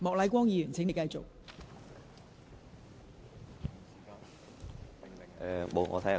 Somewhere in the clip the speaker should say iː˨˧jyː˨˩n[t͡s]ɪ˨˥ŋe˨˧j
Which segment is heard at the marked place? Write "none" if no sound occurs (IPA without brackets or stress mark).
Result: t͡sʰ